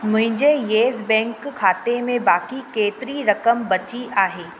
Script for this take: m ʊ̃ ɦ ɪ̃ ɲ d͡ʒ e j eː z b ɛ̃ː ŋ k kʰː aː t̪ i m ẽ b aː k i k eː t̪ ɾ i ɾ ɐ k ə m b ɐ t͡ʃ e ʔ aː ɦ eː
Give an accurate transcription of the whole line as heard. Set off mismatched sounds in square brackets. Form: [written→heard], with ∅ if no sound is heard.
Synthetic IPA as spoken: m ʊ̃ ɦ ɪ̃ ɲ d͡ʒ e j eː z b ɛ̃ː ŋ k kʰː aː t̪ [i→e] m ẽ b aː k i k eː t̪ ɾ i ɾ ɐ k ə m b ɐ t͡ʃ [e→i] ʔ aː ɦ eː